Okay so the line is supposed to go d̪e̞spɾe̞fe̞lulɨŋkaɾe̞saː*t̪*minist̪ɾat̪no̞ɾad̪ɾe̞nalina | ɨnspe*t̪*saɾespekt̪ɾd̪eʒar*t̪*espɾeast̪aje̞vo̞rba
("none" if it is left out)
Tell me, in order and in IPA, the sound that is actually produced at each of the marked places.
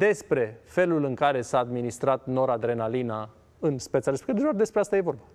d̪, t̪, d̪

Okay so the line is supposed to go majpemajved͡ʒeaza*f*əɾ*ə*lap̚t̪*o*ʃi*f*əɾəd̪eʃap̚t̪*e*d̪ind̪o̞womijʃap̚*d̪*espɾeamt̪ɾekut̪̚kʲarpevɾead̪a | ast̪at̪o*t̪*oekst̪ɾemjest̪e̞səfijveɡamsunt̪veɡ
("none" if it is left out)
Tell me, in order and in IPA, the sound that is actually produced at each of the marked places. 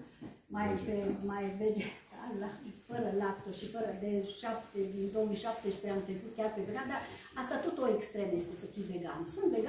f, ə, o, f, e, t̪, t̪

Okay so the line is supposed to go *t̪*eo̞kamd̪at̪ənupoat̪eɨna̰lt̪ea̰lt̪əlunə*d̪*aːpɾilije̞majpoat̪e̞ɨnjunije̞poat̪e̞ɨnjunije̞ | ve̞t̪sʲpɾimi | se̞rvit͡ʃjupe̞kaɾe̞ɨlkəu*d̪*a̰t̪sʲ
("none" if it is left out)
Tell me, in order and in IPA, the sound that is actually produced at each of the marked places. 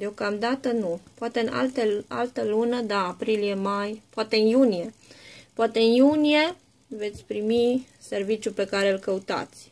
d̪, d̪, t̪

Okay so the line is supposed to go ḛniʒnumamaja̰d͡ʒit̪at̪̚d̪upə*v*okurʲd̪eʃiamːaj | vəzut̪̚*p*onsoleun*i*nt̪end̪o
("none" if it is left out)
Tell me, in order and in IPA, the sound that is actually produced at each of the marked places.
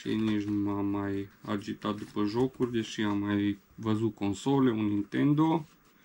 ʒ, k, i

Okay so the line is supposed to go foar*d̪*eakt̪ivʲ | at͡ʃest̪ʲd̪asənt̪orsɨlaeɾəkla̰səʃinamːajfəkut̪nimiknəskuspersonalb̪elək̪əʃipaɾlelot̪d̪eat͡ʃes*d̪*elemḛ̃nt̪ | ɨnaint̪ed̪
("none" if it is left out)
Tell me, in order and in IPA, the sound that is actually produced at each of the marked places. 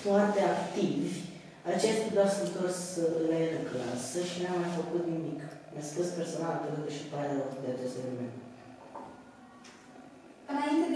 t̪, t̪

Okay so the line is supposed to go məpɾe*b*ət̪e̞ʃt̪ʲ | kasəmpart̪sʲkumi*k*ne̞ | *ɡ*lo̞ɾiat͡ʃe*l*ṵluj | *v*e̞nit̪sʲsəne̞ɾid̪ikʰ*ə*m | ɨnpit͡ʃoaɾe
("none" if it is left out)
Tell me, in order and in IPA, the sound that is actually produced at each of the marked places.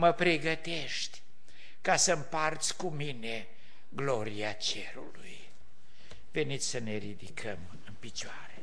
ɡ, none, ɡ, ɾ, v, ə

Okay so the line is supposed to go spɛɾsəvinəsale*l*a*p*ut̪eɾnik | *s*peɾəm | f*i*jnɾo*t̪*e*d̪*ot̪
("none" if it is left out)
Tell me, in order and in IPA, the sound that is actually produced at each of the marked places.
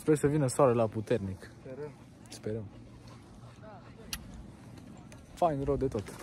l, p, s, a, d̪, t̪

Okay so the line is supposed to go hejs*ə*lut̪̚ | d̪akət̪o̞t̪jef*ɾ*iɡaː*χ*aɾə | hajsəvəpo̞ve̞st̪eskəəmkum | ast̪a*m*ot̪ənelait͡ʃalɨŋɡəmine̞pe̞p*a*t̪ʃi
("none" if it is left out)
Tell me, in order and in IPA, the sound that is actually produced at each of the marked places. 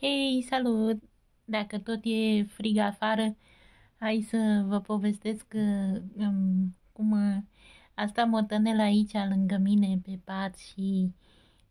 a, ɾ, f, m, a

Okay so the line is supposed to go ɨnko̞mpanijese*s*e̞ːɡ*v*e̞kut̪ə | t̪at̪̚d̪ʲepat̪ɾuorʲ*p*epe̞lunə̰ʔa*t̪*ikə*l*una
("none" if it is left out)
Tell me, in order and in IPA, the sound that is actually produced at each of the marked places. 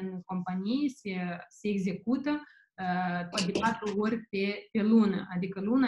s, z, p, d̪, l

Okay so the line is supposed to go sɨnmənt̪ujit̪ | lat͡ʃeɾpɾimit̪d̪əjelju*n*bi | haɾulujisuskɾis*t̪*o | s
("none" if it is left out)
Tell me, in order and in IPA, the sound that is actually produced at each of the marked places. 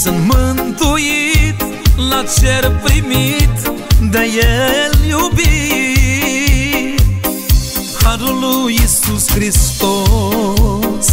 none, t̪

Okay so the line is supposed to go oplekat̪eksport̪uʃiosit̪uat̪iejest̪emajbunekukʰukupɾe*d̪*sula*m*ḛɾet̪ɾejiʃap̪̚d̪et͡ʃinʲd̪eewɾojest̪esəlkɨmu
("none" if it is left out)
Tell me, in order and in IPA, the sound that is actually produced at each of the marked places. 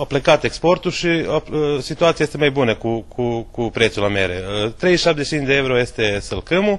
t̪, m

